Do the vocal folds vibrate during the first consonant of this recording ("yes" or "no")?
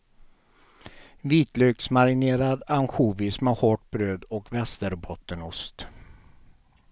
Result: yes